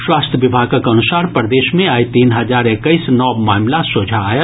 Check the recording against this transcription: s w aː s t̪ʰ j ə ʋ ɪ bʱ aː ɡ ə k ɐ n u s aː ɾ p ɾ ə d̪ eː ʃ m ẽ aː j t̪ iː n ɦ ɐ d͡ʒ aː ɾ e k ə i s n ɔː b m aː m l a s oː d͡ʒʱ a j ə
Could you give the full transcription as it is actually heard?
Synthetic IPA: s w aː s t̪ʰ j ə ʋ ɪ bʱ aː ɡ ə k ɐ n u s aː ɾ p ɾ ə d̪ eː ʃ m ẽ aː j t̪ iː n ɦ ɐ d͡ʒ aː ɾ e k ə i s n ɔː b m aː m l a s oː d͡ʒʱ a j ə